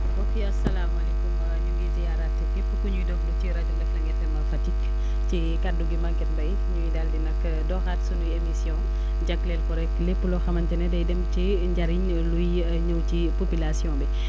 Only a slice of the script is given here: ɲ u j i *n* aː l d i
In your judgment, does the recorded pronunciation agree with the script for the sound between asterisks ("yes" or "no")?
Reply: no